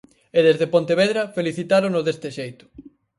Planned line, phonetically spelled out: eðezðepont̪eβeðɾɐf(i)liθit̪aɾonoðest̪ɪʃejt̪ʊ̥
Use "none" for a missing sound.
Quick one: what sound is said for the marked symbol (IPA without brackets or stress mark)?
e